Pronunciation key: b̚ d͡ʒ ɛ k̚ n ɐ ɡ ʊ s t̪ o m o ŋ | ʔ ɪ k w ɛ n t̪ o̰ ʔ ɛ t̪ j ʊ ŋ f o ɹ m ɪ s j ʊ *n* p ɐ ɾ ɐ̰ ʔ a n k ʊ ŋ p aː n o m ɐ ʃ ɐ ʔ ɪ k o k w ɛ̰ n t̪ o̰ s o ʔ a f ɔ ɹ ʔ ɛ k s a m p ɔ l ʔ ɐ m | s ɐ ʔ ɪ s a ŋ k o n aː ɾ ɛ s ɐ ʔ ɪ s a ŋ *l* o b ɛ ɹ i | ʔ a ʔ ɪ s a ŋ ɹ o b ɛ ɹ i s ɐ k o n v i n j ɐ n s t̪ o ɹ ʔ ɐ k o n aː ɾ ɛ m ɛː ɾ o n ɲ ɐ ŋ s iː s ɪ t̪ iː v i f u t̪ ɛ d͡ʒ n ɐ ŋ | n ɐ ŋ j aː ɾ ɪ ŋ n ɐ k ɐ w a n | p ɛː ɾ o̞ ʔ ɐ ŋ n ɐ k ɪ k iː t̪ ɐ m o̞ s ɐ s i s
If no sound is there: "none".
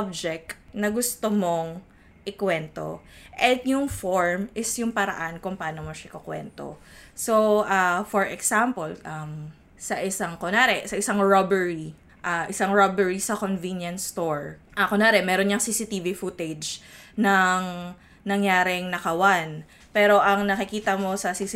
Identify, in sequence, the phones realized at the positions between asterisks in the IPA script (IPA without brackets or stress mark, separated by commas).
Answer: ŋ, ɹ